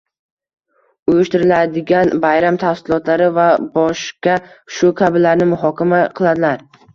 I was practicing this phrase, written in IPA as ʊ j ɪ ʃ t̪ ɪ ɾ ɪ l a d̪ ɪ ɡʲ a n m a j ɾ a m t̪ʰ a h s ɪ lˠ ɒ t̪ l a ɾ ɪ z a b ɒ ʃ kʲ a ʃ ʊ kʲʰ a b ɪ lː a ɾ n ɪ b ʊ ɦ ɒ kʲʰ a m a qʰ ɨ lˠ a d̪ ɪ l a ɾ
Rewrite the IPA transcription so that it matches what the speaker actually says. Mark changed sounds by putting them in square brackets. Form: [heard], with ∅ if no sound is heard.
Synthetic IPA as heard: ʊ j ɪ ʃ t̪ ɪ ɾ ɪ l a d̪ ɪ ɡʲ a n [b] a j ɾ a m t̪ʰ a [f] s ɪ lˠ ɒ t̪ l a ɾ ɪ [v] a b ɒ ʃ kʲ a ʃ ʊ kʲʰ a b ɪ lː a ɾ n ɪ [m] ʊ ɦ ɒ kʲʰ a m a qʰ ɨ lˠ a d̪ ɪ l a ɾ

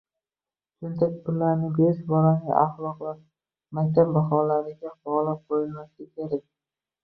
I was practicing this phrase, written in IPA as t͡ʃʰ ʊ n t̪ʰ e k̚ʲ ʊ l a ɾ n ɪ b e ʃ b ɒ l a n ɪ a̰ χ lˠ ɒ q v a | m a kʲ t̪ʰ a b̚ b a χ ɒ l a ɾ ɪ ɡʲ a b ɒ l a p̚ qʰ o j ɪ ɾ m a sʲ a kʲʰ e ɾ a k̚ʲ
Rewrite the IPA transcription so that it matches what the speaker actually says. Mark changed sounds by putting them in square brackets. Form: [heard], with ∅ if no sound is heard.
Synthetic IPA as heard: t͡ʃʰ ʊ n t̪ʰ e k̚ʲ ʊ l a ɾ n ɪ b e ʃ b ɒ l a n ɪ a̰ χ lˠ ɒ q v a | m a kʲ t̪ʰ a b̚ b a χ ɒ l a ɾ ɪ ɡʲ a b ɒ l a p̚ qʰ o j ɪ [l] m a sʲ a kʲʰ e ɾ a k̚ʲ

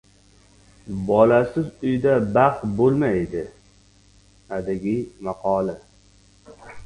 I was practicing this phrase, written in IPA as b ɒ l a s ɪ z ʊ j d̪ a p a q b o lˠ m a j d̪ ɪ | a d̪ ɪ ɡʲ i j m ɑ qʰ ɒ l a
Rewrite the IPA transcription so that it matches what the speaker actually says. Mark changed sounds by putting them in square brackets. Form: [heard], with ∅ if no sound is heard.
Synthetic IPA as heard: b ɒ l a s ɪ z ʊ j d̪ a [b] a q b o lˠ m a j d̪ ɪ | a d̪ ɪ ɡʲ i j m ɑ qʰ ɒ l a

